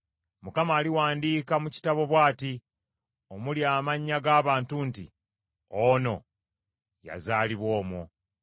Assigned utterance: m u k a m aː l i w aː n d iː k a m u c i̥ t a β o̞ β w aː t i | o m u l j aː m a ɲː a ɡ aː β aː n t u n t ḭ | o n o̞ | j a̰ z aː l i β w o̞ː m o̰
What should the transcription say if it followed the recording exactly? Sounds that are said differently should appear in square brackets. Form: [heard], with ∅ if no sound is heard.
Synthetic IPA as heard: m u k a m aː l i w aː n d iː k a m u c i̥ t a β o̞ β w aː t i | o m u l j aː m a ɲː a ɡ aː β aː n t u n t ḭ | o n o̞ | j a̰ z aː l i β w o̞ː m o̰